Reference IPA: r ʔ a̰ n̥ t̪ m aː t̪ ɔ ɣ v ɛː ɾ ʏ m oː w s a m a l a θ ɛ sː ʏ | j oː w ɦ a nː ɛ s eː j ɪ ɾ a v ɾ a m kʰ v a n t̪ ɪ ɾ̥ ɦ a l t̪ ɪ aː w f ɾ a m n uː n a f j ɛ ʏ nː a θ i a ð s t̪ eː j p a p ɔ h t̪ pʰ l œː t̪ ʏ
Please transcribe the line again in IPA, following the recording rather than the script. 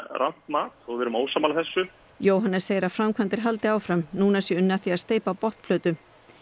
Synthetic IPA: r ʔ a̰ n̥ t̪ m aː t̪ ɔ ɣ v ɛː ɾ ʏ m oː w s a m a l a θ ɛ sː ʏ | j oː w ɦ a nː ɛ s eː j ɪ ɾ a f ɾ a m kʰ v a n t̪ ɪ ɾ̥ ɦ a l t̪ ɪ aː w f ɾ a m n uː n a s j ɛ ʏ nː a θ i a ð s t̪ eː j p a p ɔ h t̪ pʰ l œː t̪ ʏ